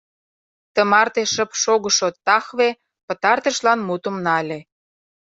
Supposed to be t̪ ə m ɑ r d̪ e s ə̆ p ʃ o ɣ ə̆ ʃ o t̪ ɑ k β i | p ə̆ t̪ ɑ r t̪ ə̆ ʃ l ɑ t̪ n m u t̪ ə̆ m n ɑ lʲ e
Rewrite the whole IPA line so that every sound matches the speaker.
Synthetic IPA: t̪ ə m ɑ r t̪ e ʃ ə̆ p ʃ o ɣ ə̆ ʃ o t̪ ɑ x β e | p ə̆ t̪ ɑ r t̪ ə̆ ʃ l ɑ n m u t̪ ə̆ m n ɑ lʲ e